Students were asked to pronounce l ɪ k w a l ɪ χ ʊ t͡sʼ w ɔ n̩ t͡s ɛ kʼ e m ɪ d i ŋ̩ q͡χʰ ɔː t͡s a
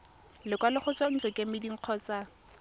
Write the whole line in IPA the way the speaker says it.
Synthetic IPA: l ɪ k w a l ɪ χ ʊ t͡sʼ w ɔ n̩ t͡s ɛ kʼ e m ɪ d i ŋ̩ q͡χʰ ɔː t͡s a